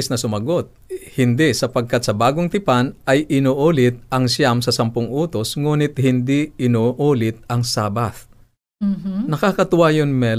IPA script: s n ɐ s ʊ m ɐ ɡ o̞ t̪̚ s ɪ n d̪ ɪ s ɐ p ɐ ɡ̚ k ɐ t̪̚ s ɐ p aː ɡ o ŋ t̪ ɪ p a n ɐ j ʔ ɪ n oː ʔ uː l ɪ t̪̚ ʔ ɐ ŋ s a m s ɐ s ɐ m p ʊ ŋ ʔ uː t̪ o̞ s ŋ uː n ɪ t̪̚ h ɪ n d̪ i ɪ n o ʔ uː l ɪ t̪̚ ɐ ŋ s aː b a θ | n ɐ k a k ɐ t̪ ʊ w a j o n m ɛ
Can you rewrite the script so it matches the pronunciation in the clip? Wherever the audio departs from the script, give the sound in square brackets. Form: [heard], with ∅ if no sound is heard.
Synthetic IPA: s n ɐ s ʊ m ɐ ɡ o̞ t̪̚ [h] ɪ n d̪ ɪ s ɐ p ɐ ɡ̚ k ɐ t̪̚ s ɐ [b] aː ɡ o ŋ t̪ ɪ p a n ɐ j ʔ ɪ n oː ʔ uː l ɪ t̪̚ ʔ ɐ ŋ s a m s ɐ s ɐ m p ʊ ŋ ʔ uː t̪ o̞ s ŋ uː n ɪ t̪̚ h ɪ n d̪ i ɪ n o ʔ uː l ɪ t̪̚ ɐ ŋ s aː b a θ | n ɐ k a k ɐ t̪ ʊ w a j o n m ɛ